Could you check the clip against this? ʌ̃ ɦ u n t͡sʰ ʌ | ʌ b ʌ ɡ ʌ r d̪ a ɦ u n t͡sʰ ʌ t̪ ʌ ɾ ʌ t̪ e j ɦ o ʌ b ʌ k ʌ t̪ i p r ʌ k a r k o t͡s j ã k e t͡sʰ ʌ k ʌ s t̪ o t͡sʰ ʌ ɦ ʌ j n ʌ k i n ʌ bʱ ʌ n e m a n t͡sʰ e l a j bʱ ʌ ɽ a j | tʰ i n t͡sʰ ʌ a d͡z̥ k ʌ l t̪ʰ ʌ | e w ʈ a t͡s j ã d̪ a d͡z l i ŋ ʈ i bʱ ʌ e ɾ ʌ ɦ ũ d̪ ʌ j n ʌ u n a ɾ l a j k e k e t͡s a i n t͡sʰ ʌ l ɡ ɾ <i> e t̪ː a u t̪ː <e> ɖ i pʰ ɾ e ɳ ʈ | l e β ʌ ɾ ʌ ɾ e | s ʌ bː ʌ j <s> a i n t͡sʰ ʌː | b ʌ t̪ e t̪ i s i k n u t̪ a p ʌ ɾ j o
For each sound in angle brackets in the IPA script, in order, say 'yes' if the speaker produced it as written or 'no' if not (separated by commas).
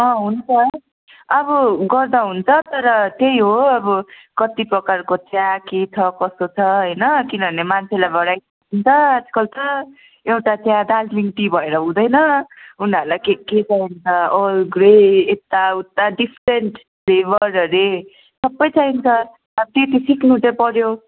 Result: no, no, no